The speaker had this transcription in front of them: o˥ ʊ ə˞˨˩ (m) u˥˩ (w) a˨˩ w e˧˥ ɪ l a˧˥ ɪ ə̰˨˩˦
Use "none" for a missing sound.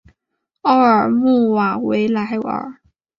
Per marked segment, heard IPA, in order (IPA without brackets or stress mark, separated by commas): m, w